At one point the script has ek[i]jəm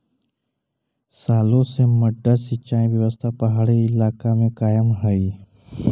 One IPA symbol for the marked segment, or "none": a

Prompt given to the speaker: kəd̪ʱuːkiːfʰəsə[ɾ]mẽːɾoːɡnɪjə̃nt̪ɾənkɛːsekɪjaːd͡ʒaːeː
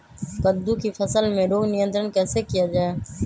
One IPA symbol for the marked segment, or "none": l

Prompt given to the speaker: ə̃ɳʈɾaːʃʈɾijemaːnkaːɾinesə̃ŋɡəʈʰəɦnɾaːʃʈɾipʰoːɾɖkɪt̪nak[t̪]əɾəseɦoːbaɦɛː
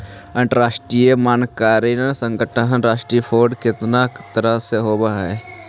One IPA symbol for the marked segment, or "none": t̪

